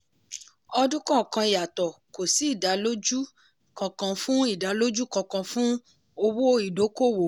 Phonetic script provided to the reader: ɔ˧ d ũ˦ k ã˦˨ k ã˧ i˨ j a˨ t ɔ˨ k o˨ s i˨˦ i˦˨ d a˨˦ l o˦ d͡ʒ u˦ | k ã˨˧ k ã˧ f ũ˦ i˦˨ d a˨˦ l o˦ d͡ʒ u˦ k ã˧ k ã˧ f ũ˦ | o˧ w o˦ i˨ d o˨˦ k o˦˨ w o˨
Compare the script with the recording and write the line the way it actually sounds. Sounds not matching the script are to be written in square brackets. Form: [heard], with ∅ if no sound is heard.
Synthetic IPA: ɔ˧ d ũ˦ k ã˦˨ k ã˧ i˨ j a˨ t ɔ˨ k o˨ s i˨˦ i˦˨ d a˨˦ l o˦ d͡ʒ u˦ | k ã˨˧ k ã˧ f ũ˦ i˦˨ d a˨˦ l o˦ d͡ʒ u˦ k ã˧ k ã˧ f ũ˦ | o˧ w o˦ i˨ d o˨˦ k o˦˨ w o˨